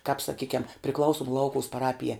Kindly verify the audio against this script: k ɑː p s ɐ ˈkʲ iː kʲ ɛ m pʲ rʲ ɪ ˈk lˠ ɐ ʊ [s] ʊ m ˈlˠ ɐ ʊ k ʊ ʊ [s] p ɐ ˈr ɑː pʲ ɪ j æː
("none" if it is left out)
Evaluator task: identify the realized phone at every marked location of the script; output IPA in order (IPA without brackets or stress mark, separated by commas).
s, s